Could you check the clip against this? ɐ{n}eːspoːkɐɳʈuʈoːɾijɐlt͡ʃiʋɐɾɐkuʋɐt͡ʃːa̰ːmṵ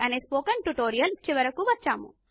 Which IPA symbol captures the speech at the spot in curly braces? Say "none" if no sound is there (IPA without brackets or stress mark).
n